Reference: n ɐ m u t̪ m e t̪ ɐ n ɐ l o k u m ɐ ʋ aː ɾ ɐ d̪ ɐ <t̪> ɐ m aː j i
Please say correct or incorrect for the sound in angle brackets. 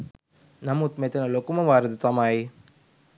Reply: correct